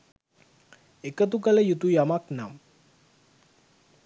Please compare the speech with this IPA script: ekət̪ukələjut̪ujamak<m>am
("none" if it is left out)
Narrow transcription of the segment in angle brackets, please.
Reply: n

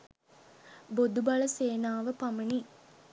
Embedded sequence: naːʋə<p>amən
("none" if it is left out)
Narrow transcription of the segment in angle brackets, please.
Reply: p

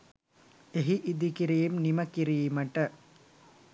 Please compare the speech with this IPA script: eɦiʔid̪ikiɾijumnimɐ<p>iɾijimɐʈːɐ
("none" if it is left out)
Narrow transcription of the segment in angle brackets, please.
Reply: k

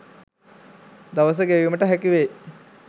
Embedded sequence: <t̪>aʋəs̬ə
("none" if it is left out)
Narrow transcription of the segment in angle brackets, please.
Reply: d̪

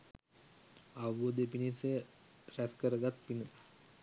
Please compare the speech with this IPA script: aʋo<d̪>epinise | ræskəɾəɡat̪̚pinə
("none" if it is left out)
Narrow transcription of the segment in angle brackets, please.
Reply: d̪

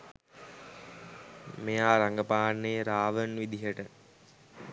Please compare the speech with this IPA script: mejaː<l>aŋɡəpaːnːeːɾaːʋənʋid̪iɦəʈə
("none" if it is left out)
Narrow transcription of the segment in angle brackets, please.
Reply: ɾ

